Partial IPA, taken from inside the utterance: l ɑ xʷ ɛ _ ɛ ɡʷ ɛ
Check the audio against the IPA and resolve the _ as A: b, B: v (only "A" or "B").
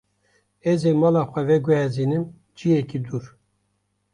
B